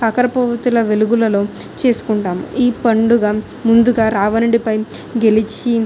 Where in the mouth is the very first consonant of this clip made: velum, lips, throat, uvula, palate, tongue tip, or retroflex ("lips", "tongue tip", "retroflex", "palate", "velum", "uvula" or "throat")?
velum